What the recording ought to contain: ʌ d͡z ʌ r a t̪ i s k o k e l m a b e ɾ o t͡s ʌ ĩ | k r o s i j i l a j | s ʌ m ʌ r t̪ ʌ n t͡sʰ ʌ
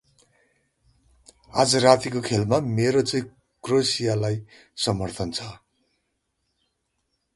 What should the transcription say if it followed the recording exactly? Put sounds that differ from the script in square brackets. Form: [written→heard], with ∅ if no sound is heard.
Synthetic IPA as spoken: [ʌ→a] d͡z ʌ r a t̪ i [s→∅] k o [k→kʰ] e l m a [b→m] e ɾ o t͡s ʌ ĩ | k r o s i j [i→a] l a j | s ʌ m ʌ r [t̪→t̪ʰ] ʌ n t͡sʰ ʌ